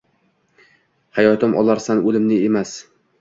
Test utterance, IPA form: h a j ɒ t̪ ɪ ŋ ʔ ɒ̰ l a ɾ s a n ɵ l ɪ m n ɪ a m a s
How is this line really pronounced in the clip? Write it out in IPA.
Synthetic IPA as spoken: h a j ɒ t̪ ɪ m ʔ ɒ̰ l a ɾ s a n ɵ l ɪ m n ɪ e m a s